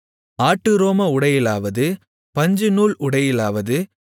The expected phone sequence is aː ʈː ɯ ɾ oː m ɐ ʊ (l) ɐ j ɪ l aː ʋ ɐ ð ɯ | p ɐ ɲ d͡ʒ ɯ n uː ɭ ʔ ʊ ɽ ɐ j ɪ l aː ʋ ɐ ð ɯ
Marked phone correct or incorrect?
incorrect